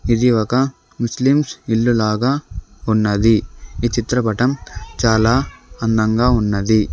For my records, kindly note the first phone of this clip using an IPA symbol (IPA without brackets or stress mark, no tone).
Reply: i